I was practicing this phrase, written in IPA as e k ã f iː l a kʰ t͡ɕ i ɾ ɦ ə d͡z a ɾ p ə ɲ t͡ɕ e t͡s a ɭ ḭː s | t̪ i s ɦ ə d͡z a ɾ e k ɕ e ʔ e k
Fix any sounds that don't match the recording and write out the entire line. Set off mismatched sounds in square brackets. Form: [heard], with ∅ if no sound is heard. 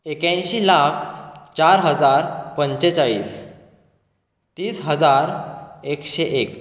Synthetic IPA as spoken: e k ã [ɕ] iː l a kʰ t͡ɕ [a] ɾ ɦ ə d͡z a ɾ p ə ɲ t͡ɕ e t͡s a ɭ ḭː s | t̪ [iː] s ɦ ə d͡z a ɾ e k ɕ e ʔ e k